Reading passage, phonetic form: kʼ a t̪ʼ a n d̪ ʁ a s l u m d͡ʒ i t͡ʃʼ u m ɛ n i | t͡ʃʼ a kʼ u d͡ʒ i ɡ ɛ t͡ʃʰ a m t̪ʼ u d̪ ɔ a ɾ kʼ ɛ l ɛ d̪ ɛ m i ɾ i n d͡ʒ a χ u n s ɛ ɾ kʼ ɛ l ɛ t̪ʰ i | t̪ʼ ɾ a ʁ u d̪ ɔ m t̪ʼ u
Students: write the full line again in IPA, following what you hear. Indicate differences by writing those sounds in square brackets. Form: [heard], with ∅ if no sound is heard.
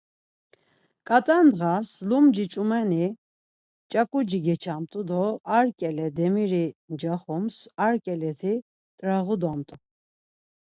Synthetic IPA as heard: kʼ a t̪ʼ a n d̪ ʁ a s l u m d͡ʒ i t͡ʃʼ u m ɛ n i | t͡ʃʼ a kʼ u d͡ʒ i ɡ ɛ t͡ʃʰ a m t̪ʼ u d̪ ɔ a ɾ kʼ ɛ l ɛ d̪ ɛ m i ɾ i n d͡ʒ a χ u [m] s [a] ɾ kʼ ɛ l ɛ t̪ʰ i | t̪ʼ ɾ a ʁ u d̪ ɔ m t̪ʼ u